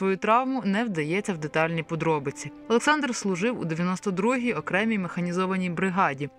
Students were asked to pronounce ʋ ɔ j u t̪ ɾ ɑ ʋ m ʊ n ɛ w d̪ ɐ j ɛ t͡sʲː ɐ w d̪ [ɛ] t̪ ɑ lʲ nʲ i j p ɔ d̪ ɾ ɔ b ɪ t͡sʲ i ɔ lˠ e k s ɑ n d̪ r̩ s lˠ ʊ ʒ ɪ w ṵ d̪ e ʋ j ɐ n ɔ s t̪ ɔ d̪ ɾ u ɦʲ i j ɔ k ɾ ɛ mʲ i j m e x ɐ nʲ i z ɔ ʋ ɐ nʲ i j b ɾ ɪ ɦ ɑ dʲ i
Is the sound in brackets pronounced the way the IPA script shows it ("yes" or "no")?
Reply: no